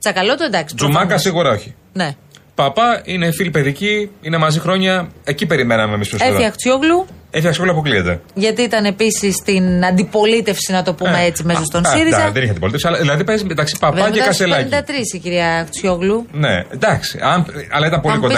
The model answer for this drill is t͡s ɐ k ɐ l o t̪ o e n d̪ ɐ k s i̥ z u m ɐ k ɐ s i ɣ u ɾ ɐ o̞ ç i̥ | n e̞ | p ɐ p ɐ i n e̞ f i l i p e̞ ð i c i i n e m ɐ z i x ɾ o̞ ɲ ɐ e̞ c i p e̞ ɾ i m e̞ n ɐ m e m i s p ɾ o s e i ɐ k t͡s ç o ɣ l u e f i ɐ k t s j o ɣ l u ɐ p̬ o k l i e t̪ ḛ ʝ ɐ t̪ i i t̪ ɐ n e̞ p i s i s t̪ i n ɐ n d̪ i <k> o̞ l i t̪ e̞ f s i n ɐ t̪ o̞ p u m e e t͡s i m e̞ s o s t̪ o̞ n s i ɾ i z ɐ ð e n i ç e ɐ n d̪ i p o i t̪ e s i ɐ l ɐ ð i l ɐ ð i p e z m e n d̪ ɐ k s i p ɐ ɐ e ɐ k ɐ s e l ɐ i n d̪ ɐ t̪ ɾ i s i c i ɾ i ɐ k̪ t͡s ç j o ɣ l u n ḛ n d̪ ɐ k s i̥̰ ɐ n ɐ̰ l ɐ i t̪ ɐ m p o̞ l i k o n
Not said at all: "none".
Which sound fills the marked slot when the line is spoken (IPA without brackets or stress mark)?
p